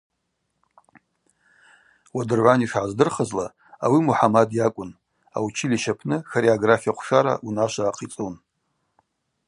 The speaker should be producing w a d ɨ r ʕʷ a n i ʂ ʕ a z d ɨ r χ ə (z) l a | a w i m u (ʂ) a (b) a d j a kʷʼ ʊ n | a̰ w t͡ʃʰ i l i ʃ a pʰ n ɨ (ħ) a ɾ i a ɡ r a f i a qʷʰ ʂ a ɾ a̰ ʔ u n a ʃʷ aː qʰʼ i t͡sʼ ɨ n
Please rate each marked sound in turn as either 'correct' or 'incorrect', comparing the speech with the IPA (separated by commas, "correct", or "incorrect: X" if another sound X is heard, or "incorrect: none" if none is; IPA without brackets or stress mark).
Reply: correct, incorrect: ħ, incorrect: m, incorrect: x